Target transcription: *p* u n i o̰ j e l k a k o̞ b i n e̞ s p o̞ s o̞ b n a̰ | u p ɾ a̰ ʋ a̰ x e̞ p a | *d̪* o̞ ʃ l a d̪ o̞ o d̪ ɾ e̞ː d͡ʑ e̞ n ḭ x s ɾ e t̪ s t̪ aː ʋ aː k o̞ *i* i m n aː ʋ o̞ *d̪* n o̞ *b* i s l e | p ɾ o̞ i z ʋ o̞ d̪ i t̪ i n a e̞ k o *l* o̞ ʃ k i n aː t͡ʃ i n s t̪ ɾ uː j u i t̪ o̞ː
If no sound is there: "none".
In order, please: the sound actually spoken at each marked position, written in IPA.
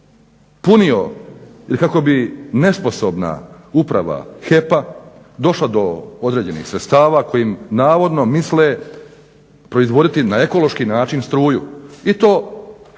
p, d̪, j, d̪, m, l

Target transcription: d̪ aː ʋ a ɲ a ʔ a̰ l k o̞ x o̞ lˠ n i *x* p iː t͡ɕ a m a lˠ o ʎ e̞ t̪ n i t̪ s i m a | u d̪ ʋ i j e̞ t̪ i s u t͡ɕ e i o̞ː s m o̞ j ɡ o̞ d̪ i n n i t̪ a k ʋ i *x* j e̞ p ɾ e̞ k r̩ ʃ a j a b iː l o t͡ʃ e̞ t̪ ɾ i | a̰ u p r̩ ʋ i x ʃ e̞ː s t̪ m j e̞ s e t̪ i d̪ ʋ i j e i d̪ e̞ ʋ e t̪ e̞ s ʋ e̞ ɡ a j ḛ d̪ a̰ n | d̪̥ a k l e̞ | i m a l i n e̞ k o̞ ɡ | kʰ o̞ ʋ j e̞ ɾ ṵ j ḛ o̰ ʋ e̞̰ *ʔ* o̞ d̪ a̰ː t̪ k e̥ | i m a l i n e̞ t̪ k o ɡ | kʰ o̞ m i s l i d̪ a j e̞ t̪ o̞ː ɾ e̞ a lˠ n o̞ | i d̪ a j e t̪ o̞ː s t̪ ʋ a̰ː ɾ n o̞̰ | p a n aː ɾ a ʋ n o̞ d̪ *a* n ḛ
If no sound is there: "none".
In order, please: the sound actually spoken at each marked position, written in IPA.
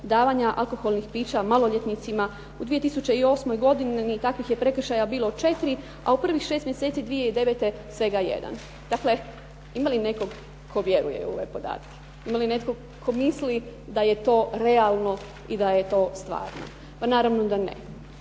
x, x, p, a

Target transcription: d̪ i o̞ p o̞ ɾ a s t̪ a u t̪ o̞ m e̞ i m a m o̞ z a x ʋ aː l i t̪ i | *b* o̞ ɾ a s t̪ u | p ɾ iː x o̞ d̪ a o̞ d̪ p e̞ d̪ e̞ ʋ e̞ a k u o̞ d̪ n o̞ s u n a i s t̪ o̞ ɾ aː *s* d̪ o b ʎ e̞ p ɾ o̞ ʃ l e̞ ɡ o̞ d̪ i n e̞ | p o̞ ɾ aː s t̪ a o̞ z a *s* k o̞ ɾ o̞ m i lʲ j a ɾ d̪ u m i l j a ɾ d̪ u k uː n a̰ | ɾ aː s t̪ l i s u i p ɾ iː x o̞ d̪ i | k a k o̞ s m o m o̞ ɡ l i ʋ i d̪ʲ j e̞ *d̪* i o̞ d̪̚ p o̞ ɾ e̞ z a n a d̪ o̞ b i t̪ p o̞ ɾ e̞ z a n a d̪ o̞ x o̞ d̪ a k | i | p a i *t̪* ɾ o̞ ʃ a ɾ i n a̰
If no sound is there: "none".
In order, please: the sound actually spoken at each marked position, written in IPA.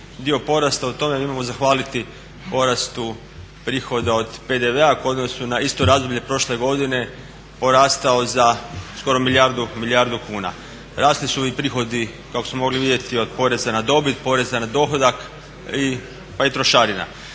p, z, s, t̪, t̪

